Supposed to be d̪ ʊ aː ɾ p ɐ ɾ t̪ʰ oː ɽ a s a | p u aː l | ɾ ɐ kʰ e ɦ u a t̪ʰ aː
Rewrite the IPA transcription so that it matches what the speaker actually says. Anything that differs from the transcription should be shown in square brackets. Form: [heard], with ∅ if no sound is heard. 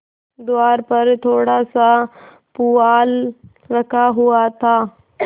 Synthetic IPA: d̪ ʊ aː ɾ p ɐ ɾ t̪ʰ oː ɽ a s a | p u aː l | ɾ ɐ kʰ [a] ɦ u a t̪ʰ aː